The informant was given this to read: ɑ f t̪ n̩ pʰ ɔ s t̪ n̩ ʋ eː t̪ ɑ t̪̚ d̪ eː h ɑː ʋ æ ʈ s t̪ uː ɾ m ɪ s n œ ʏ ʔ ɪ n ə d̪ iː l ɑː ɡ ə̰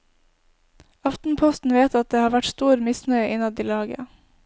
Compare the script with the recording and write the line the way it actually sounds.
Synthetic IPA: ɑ f t̪ n̩ pʰ ɔ s t̪ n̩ ʋ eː t̪ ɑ t̪̚ d̪ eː h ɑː ʋ æ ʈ s t̪ uː ɾ m ɪ s n œ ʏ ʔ ɪ n ɑ d̪ iː l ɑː ɡ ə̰